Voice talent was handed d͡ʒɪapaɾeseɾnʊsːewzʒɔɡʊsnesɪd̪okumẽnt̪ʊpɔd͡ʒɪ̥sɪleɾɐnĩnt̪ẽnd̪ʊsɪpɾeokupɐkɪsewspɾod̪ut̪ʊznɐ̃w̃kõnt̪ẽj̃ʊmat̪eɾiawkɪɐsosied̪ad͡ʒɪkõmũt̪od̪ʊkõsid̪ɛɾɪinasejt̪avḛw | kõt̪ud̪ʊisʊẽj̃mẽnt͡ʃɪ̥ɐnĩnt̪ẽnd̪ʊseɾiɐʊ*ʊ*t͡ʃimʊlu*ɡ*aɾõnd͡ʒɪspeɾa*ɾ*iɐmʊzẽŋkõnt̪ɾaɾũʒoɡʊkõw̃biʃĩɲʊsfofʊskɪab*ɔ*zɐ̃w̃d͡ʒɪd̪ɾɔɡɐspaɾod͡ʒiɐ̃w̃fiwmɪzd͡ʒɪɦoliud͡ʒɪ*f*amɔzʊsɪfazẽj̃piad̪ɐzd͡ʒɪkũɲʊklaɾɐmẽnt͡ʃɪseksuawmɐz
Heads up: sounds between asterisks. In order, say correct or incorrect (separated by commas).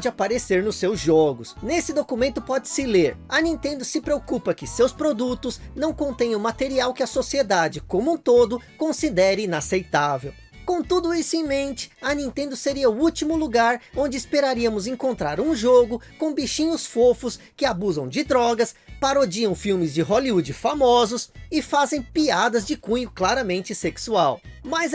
incorrect, correct, correct, incorrect, correct